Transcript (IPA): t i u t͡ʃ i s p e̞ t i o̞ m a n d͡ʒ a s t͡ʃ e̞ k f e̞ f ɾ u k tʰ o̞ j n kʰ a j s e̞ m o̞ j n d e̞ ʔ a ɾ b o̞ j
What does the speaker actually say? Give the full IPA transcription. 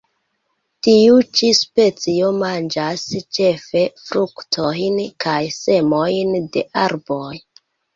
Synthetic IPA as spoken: t i u t͡ʃ i s p e̞ t͡s i o̞ m a n d͡ʒ a s t͡ʃ e̞ f e̞ f ɾ u k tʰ o̞ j n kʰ a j s e̞ m o̞ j n d e̞ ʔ a ɾ b o̞ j